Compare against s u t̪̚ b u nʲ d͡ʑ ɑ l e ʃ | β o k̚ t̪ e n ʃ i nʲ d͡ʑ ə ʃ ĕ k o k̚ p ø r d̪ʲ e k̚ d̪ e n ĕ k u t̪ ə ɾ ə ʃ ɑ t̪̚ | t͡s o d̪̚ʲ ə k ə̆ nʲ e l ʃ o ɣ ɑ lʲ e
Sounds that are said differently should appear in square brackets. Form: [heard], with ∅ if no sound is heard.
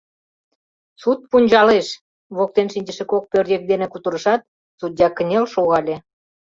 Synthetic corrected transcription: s u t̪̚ [p] u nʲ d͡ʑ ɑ l e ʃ | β o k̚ t̪ e n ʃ i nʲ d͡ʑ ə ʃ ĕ k o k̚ p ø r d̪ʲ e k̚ d̪ e n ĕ k u t̪ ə ɾ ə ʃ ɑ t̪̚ | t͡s [u] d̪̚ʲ [ɑ] k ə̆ nʲ e l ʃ o ɣ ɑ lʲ e